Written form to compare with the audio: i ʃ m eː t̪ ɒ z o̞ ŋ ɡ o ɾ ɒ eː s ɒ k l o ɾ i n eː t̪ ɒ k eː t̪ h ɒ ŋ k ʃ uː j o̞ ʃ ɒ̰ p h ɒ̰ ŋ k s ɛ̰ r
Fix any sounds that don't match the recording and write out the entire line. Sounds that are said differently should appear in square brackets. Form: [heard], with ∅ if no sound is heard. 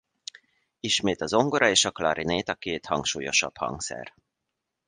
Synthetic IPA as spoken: i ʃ m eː t̪ ɒ z o̞ ŋ ɡ o ɾ ɒ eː [ʃ] ɒ k l [ɒ] ɾ i n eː t̪ ɒ k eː t̪ h ɒ ŋ k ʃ uː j o̞ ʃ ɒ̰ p h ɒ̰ ŋ k s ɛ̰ r